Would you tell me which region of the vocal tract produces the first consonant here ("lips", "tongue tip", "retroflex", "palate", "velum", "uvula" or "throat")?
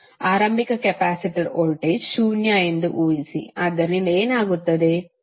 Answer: tongue tip